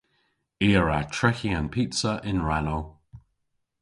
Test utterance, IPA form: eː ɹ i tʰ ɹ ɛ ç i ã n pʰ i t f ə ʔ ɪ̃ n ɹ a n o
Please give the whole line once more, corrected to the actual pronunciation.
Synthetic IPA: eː ɹ a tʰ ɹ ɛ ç i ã n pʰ i t s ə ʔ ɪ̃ n ɹ a n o